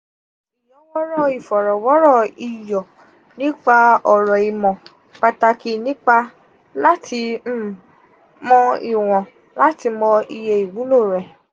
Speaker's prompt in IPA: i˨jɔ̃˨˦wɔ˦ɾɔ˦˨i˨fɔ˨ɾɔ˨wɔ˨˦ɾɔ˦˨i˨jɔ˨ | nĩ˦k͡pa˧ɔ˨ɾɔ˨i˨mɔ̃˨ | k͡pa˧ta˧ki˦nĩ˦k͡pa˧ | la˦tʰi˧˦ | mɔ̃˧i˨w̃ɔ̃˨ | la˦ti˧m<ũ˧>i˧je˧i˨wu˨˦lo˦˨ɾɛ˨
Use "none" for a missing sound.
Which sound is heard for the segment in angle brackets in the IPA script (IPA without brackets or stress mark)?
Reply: ɔ̃˧